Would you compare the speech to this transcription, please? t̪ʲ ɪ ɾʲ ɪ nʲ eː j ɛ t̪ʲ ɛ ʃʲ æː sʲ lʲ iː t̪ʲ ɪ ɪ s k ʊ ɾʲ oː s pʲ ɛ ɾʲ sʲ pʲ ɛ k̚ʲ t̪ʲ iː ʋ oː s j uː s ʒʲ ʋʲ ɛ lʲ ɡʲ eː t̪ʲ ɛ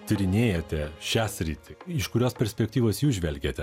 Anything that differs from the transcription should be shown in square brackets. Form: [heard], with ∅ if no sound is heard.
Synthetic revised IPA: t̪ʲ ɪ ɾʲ ɪ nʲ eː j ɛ t̪ʲ ɛ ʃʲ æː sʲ [ɾʲ] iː t̪ʲ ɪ ɪ [ʃ] k ʊ ɾʲ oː s pʲ ɛ ɾʲ sʲ pʲ ɛ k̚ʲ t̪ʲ iː ʋ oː s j uː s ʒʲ ʋʲ ɛ lʲ ɡʲ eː t̪ʲ ɛ